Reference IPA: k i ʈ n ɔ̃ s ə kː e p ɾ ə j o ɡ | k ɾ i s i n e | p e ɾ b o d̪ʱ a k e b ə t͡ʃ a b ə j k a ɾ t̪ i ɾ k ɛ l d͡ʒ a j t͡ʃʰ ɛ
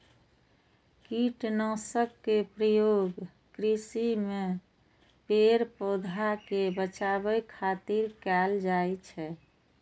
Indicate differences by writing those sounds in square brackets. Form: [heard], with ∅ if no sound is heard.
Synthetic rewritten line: k i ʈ n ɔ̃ s ə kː e p ɾ ə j o ɡ | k ɾ i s i [m] e | p e ɾ [p] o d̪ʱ a k e b ə t͡ʃ a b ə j [kʰ] a [∅] t̪ i ɾ k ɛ l d͡ʒ a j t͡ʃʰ ɛ